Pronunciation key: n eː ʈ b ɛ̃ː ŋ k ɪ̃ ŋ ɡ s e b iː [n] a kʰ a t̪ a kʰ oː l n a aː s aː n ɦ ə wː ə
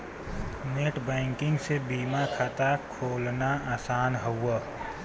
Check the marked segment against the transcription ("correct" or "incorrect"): incorrect